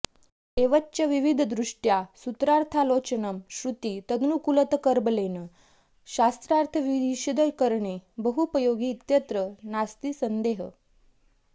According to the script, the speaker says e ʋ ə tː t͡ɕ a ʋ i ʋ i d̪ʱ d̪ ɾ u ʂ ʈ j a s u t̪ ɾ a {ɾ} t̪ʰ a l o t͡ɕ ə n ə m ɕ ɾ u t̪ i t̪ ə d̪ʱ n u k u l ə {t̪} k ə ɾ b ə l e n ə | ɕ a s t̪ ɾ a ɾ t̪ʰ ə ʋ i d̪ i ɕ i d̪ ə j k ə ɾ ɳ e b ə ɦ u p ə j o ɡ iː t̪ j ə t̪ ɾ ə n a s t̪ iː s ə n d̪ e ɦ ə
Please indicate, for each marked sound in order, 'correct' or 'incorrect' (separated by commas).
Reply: correct, correct